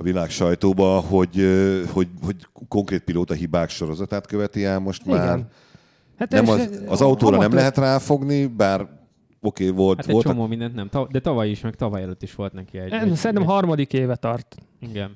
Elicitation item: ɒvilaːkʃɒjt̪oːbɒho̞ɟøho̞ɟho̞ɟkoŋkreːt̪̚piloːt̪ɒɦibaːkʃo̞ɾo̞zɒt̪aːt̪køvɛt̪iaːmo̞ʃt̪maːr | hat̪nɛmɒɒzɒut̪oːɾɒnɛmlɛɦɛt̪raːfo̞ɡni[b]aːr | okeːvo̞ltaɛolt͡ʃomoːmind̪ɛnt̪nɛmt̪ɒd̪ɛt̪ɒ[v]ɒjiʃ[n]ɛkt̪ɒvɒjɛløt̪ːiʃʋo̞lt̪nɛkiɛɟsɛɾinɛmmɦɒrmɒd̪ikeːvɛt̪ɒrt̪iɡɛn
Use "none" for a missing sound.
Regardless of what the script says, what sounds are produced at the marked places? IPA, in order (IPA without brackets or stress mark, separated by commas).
b, v, m